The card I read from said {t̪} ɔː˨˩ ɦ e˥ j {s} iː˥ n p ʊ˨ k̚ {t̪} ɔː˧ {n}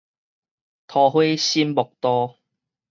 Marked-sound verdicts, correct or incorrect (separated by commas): incorrect, correct, correct, incorrect